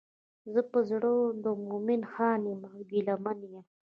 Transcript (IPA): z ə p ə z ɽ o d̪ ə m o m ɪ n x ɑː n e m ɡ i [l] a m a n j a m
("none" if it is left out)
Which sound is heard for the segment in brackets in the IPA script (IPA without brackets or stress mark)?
l